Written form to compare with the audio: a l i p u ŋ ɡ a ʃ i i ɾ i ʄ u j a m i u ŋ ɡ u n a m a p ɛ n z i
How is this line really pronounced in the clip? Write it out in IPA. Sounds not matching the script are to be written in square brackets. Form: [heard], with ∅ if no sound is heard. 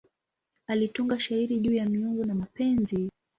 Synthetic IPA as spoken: a l i [t] u ŋ ɡ a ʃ [a] i ɾ i ʄ [uː] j a m i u ŋ ɡ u n a m a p ɛ n z i